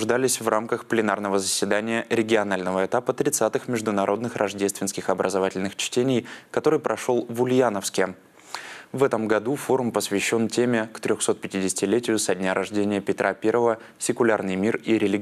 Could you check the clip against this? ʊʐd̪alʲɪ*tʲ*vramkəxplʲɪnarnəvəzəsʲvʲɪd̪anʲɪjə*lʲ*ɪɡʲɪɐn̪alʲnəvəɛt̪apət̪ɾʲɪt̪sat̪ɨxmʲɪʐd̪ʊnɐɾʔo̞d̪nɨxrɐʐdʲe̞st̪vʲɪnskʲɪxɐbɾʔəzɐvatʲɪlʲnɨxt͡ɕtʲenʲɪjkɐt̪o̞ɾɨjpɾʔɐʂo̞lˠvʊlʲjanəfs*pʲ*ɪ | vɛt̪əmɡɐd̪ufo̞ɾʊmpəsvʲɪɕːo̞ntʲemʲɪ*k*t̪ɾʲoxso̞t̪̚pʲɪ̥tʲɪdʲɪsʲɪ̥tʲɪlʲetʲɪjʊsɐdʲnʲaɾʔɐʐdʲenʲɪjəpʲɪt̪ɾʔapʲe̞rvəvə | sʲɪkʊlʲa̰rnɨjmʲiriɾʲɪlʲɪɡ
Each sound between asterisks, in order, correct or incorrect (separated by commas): incorrect, incorrect, incorrect, correct